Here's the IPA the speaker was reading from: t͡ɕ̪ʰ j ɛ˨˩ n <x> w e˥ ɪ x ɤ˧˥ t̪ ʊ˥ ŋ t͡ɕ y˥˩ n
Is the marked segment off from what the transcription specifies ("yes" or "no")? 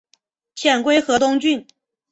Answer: yes